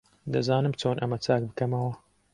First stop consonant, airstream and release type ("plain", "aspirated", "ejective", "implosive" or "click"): plain